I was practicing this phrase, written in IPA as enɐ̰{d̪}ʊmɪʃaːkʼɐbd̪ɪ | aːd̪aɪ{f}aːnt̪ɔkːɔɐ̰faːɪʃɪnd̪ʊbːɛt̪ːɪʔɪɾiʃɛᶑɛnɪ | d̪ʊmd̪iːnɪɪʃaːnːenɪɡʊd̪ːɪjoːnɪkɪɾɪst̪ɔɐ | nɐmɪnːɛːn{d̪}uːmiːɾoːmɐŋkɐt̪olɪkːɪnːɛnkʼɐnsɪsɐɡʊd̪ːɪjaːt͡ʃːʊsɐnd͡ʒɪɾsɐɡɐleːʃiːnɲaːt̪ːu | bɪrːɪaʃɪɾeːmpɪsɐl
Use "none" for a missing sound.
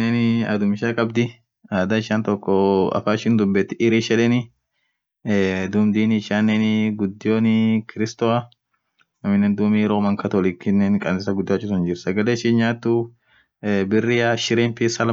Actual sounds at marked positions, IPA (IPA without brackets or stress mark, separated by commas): d̪, ʃ, d̪